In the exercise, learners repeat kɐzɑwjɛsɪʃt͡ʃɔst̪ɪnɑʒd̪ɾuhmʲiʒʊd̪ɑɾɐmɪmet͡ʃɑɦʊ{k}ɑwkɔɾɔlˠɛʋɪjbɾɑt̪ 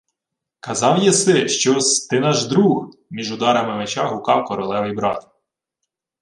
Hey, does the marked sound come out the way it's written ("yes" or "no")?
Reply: yes